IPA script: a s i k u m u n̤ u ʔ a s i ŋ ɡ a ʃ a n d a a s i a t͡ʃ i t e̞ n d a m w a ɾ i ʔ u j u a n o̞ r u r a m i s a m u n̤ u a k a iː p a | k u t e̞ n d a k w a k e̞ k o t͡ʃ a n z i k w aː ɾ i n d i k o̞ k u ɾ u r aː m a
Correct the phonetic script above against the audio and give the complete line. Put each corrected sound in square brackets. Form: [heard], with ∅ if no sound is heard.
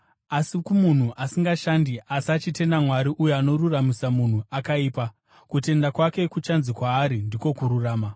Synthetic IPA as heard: a s i k u m u n̤ u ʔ a s i ŋ ɡ a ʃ a n d [i] a s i a t͡ʃ i t e̞ n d a m w a ɾ i ʔ u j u a n o̞ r u r a m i s a m u n̤ u a k a iː p a | k u t e̞ n d a k w a k e̞ k [u] t͡ʃ a n z i k w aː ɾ i n d i k o̞ k u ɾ u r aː m a